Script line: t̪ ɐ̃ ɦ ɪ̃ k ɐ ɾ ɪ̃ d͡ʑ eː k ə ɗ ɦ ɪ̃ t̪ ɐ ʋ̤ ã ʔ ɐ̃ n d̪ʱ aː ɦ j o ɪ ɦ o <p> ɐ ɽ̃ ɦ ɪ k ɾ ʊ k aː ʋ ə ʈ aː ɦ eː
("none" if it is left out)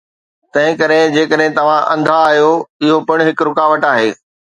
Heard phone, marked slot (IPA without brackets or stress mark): p